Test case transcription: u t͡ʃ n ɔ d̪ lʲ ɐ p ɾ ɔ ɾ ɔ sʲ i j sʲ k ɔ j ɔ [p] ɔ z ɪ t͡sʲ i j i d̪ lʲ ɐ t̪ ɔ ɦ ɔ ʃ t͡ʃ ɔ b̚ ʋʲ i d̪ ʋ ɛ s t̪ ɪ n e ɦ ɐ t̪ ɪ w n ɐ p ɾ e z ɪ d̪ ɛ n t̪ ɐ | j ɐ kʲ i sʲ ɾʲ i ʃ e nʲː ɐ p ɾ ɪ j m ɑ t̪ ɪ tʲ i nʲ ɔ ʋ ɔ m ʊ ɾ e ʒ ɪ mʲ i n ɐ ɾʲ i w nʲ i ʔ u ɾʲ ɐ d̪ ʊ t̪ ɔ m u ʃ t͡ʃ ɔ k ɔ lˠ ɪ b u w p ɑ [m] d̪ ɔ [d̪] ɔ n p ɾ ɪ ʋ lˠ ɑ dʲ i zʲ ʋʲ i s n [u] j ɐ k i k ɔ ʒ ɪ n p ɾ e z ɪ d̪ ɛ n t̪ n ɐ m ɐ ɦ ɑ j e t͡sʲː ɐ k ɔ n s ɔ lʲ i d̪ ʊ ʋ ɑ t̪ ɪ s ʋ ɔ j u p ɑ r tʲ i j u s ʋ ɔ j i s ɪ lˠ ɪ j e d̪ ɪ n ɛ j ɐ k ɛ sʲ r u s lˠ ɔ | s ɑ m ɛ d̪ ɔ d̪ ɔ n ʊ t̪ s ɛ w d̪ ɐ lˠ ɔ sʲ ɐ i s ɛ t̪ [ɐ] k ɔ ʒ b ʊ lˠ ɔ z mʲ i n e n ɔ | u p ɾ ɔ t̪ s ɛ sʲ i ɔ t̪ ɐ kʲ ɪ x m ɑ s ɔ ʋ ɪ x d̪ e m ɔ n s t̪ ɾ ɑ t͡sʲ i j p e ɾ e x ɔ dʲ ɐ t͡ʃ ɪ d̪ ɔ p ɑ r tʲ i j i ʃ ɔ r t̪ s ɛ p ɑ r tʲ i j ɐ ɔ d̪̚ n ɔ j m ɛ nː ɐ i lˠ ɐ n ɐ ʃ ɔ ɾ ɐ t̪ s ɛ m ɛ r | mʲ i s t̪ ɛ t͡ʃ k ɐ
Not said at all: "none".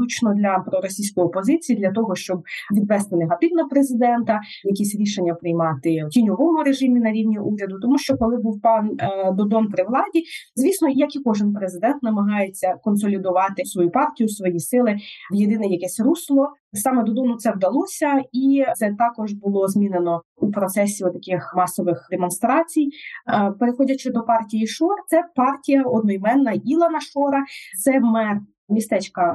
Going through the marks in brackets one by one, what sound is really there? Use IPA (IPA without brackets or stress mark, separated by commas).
p, n, d̪, ɔ, ɑ